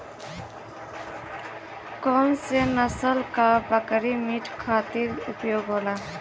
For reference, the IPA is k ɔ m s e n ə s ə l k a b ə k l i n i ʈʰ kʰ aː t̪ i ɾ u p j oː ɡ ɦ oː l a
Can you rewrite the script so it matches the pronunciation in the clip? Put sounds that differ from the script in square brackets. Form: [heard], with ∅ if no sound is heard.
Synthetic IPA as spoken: k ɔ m s e n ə s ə l k a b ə k [ɾ] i [m] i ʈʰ kʰ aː t̪ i ɾ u p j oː ɡ ɦ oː l a

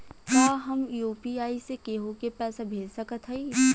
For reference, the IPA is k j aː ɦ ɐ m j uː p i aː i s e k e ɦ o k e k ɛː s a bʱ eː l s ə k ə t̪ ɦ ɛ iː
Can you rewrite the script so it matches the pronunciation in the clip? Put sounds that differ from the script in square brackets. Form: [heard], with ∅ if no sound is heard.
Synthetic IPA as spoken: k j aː ɦ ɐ m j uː p i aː i s e k e ɦ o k e [p] ɛː s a bʱ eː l s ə k ə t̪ ɦ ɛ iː

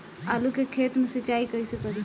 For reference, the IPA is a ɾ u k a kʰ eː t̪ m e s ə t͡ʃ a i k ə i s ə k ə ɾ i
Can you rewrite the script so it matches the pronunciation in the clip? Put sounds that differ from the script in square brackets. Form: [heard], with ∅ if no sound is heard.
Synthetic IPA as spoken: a [l] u k [e] kʰ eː t̪ m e s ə t͡ʃ a i k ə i s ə k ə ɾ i

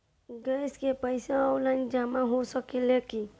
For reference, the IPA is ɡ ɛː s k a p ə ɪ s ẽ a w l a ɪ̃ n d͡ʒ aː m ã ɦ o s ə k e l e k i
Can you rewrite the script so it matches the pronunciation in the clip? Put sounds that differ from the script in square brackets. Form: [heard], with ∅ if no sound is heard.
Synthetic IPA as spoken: ɡ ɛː s k [e] p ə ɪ s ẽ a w l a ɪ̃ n d͡ʒ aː m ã ɦ o s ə k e l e k i

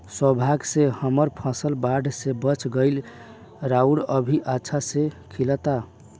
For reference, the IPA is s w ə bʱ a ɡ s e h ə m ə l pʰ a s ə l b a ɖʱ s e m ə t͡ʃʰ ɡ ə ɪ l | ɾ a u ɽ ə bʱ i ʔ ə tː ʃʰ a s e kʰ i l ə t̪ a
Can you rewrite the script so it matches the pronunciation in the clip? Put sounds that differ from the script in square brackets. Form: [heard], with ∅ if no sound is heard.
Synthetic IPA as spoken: s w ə bʱ a ɡ s e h ə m ə [ɾ] pʰ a s ə l b a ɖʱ s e [b] ə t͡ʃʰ ɡ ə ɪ l | ɾ a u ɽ ə bʱ i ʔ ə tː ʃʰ a s e kʰ i l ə t̪ a

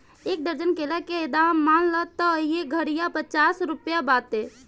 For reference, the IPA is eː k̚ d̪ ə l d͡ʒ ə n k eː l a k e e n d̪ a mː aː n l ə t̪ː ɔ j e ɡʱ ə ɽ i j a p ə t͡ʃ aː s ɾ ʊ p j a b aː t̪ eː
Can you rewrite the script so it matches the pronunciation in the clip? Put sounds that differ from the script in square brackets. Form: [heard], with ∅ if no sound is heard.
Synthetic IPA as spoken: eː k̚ d̪ ə [ɾ] d͡ʒ ə n k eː l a k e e [∅] d̪ a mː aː n l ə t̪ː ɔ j e ɡʱ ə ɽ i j a p ə t͡ʃ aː s ɾ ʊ p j a b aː t̪ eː

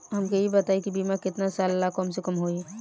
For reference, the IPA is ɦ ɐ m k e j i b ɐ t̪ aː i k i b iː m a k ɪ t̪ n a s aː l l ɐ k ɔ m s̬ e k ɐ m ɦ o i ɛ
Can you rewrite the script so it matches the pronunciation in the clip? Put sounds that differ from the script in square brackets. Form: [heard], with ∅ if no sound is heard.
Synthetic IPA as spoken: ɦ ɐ m k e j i b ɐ t̪ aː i k i b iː m a k ɪ t̪ n a s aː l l [a] k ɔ m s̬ e k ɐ m ɦ o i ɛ

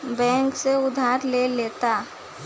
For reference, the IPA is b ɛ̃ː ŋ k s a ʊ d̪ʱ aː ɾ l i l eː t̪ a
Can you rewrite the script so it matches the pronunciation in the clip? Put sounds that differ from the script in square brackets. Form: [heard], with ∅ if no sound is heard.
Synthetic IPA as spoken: b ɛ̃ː ŋ k s [e] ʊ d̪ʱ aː ɾ l [e] l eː t̪ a

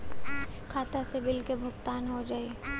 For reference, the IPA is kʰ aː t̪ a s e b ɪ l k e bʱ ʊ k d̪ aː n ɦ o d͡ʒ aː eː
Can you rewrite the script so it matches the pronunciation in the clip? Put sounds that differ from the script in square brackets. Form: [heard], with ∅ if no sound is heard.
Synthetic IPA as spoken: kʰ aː t̪ a s e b ɪ l k e bʱ ʊ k [t̪] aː n ɦ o d͡ʒ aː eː

